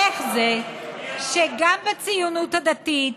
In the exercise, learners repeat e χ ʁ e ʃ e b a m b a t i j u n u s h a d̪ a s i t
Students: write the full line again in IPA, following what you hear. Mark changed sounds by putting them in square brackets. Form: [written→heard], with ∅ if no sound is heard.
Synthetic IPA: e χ [ʁ→z] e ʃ e [b→ɡ] a m b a [t→t͡s] i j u n u [s→t] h a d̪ a [s→t] i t